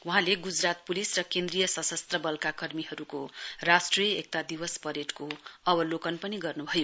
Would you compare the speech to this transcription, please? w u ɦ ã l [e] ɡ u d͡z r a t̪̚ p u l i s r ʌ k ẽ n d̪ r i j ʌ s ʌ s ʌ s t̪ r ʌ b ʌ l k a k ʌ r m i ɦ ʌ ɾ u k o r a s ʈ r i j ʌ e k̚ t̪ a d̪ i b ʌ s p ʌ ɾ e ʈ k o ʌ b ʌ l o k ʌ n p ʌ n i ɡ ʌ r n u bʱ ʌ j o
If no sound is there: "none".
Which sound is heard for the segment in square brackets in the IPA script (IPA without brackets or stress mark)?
e